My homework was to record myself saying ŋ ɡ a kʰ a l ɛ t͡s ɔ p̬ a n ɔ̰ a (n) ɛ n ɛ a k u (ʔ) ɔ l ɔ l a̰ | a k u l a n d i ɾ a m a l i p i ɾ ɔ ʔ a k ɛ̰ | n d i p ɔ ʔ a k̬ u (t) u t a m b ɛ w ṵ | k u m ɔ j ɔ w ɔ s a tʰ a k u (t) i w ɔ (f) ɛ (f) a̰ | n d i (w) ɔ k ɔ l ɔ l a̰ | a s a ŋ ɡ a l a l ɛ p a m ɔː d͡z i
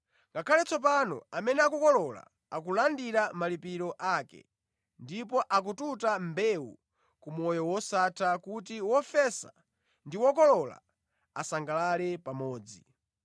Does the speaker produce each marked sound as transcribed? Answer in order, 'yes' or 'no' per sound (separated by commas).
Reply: no, no, yes, yes, yes, no, yes